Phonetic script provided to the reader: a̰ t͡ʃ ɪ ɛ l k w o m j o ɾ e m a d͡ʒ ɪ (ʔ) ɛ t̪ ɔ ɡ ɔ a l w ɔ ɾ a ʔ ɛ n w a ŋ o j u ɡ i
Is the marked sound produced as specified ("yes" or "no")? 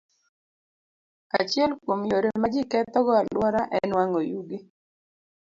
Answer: no